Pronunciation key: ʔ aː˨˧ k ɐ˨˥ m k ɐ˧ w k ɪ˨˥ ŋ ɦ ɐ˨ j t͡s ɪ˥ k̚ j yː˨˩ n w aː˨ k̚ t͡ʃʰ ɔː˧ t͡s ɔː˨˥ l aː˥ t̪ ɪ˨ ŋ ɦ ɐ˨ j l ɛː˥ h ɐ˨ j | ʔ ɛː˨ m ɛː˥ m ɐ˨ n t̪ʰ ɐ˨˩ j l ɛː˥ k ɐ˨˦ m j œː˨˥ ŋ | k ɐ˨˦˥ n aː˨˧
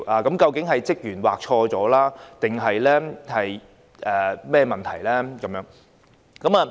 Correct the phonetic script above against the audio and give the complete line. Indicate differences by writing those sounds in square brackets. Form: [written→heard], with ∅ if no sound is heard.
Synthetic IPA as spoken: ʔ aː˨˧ k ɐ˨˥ m k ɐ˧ w k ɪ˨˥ ŋ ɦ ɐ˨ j t͡s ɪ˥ k̚ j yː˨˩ n w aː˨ k̚ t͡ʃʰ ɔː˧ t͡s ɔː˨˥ l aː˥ t̪ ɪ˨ ŋ ɦ ɐ˨ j l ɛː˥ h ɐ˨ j | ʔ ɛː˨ m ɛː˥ m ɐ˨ n t̪ʰ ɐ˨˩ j l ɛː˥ k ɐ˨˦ m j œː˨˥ ŋ | k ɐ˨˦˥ [n→m] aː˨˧